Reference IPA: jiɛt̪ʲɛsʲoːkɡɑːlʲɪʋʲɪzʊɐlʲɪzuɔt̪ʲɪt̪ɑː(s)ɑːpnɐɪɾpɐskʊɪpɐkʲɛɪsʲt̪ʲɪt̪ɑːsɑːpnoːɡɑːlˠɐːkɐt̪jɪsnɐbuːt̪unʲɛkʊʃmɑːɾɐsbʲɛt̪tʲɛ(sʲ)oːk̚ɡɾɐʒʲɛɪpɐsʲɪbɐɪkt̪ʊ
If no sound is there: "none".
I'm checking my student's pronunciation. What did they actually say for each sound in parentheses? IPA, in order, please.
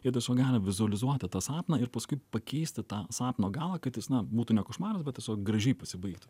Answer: s, sʲ

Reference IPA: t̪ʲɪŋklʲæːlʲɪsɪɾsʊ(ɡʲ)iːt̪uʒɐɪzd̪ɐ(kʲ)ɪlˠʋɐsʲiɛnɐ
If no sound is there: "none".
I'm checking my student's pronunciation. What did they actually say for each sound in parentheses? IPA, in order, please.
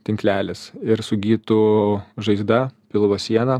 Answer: ɡʲ, pʲ

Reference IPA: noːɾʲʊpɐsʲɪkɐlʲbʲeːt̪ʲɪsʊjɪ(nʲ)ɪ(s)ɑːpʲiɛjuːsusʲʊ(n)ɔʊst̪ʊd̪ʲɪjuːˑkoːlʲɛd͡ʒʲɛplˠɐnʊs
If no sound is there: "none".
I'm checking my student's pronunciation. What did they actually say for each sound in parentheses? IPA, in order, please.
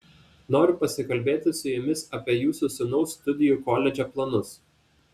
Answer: mʲ, s, n

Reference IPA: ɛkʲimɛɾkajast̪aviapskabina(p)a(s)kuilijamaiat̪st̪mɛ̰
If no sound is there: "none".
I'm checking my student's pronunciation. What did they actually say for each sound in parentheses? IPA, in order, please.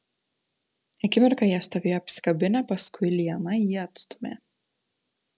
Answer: p, s

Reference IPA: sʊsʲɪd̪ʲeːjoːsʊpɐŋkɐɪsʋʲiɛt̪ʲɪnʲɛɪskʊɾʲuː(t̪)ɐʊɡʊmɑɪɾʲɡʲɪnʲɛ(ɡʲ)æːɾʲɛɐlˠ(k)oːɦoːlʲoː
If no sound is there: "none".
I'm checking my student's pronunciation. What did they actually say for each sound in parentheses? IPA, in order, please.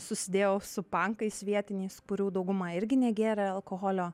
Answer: d̪, ɡʲ, k

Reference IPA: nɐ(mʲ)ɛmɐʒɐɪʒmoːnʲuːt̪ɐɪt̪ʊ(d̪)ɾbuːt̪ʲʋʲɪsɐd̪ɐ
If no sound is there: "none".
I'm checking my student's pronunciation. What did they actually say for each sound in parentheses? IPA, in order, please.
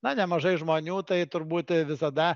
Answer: nʲ, none

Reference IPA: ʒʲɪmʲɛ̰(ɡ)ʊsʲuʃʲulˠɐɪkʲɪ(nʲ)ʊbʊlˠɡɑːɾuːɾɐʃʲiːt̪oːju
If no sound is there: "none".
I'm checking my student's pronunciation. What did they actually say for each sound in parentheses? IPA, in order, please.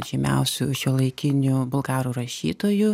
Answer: none, nʲ

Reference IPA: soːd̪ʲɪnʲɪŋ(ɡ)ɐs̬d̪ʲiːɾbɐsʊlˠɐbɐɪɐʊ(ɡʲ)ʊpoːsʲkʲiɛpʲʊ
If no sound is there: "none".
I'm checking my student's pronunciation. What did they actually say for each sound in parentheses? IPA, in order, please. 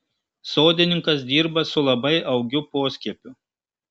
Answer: k, ɡʲ

